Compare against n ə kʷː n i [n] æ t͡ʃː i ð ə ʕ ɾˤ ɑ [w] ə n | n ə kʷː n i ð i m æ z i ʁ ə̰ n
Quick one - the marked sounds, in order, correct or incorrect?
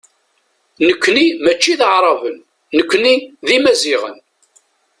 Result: incorrect: m, incorrect: v

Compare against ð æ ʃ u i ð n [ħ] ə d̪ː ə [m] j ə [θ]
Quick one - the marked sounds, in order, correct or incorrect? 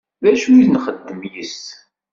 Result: incorrect: χ, correct, incorrect: s

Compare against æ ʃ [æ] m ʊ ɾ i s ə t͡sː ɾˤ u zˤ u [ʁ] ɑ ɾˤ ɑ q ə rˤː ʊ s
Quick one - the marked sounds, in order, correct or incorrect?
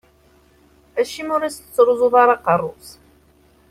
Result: incorrect: i, incorrect: ð

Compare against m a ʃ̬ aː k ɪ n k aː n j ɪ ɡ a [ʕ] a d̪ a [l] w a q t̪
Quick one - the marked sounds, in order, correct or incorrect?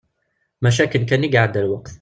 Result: correct, correct

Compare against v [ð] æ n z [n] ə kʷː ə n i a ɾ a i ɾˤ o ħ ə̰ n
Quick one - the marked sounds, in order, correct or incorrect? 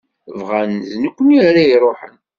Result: incorrect: ʁ, correct

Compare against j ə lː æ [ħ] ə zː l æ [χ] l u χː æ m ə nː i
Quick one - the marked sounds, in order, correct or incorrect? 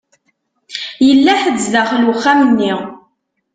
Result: correct, correct

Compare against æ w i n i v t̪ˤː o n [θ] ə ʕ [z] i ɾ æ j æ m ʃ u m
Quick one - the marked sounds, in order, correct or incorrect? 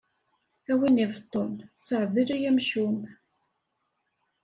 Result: incorrect: s, incorrect: ð

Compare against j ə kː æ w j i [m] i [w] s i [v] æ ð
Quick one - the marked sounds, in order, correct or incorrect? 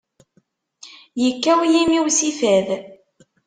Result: correct, correct, incorrect: f

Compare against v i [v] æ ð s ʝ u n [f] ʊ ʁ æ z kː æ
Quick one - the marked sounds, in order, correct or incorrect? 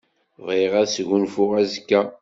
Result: incorrect: ʁ, correct

